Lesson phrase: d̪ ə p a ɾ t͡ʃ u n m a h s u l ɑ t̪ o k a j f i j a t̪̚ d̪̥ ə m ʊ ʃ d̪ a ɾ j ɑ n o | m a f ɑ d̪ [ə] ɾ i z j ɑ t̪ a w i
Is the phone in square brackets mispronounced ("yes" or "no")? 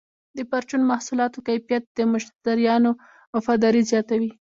yes